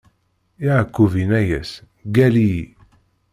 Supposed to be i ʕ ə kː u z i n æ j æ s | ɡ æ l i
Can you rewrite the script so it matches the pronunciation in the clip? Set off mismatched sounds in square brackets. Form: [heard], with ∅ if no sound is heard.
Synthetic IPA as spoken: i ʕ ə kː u [v] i n æ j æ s | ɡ æ l i